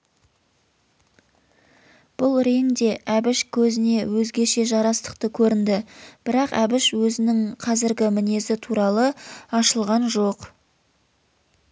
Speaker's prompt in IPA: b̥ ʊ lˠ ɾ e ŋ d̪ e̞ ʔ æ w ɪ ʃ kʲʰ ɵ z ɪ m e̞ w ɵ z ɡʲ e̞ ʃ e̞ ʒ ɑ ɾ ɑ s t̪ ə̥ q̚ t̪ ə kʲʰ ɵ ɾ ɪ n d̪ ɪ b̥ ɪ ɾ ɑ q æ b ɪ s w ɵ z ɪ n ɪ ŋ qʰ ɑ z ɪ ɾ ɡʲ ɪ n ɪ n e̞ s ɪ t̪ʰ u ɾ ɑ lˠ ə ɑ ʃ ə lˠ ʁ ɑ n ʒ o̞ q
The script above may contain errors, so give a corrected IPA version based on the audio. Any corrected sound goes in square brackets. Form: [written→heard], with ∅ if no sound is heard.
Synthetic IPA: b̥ ʊ lˠ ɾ e ŋ d̪ e̞ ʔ æ [w→b] ɪ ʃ kʲʰ ɵ z ɪ [m→n] e̞ w ɵ z ɡʲ e̞ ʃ e̞ ʒ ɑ ɾ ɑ s t̪ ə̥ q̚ t̪ ə kʲʰ ɵ ɾ ɪ n d̪ ɪ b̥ ɪ ɾ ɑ q æ b ɪ [s→ʃ] w ɵ z ɪ n ɪ ŋ qʰ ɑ z ɪ ɾ ɡʲ ɪ [n→m] ɪ n e̞ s ɪ t̪ʰ u ɾ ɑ lˠ ə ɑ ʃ ə lˠ ʁ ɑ n ʒ o̞ q